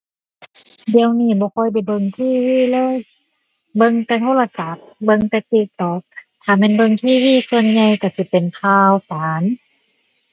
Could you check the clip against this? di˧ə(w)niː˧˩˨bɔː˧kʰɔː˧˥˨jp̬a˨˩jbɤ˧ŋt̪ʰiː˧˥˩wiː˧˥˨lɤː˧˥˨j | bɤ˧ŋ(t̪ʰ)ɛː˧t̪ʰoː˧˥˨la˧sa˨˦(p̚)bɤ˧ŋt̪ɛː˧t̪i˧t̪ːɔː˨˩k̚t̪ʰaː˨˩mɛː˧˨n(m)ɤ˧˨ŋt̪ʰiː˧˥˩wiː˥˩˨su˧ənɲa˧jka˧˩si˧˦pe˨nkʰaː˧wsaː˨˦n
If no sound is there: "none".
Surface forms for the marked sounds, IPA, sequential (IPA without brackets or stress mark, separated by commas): w, t̪, p̚, b